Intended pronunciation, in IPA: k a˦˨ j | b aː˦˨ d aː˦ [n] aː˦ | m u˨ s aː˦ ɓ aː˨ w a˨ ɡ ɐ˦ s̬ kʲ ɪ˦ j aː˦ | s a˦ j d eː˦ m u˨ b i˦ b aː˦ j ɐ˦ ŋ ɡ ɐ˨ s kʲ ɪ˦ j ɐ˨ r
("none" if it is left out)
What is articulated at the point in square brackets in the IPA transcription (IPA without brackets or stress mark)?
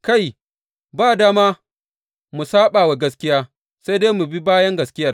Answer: m